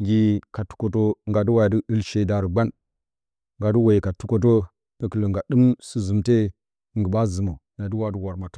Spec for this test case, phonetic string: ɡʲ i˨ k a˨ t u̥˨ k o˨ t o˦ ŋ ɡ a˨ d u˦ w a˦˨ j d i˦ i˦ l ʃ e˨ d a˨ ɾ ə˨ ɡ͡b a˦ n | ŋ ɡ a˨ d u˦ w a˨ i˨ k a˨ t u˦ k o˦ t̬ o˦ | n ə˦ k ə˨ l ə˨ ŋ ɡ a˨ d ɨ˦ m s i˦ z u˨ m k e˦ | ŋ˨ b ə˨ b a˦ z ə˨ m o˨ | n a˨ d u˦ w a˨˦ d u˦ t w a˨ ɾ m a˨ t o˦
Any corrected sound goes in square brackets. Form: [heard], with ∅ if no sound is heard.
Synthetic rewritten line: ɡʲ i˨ k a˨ t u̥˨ k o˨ t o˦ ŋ ɡ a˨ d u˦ w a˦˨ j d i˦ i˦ l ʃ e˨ d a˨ ɾ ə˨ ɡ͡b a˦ n | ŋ ɡ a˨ d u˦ w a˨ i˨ k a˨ t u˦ k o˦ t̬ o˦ | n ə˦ k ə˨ l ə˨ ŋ ɡ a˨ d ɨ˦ m s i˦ z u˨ m [t] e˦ | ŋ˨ [ɡ] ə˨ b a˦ z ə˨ m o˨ | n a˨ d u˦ w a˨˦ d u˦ [∅] w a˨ ɾ m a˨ t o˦